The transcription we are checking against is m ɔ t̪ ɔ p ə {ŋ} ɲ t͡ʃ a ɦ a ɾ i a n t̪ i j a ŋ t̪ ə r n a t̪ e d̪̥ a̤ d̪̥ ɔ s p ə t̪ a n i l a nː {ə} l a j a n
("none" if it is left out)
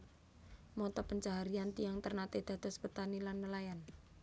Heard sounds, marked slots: none, ə

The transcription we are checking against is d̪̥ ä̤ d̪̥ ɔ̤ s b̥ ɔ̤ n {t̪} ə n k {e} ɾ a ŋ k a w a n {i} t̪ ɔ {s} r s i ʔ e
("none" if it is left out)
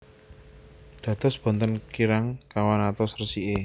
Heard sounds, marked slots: t̪, i, a, s

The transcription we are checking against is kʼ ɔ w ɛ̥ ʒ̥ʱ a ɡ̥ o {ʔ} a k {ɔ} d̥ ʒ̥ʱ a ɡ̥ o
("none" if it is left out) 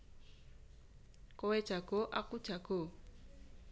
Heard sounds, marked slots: ʔ, u

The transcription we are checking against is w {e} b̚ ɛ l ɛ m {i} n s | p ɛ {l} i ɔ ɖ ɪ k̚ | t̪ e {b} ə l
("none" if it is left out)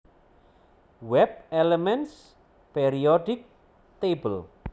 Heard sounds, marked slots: ɛ, ɛ, ɾ, b

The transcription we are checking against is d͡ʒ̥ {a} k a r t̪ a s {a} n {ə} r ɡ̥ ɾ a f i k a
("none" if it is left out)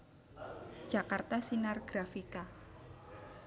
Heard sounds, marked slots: a, i, a

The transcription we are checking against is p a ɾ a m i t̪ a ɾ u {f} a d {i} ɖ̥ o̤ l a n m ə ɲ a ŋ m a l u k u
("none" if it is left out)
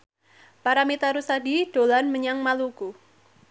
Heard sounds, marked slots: s, i

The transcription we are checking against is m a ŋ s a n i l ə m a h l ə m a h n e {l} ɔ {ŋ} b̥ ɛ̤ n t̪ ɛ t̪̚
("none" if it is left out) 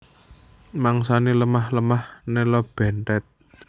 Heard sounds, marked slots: l, none

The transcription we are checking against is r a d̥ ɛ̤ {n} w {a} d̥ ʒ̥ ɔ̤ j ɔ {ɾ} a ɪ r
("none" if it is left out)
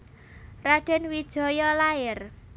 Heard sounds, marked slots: n, i, l

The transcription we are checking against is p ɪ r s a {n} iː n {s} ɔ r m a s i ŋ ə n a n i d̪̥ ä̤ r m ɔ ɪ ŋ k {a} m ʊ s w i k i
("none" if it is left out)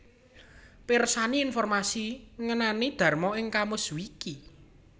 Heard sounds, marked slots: n, f, a

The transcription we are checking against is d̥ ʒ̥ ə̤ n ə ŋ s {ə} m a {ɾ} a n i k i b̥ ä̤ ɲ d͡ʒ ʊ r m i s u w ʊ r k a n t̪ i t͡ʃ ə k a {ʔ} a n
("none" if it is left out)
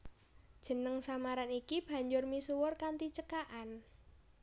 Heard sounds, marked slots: a, ɾ, ʔ

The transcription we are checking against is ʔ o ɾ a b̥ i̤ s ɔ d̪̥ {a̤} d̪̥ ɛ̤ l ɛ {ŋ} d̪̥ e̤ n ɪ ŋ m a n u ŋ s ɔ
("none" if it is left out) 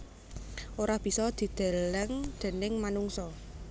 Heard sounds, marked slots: i̤, ŋ

